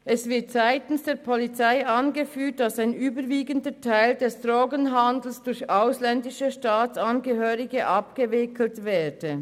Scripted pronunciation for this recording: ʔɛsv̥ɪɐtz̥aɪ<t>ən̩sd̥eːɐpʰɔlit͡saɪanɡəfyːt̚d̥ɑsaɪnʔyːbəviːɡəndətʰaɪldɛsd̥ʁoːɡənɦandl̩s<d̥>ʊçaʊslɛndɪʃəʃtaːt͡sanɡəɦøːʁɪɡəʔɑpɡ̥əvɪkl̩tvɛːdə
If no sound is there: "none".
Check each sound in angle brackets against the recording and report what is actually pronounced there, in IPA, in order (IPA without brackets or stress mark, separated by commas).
t, d̥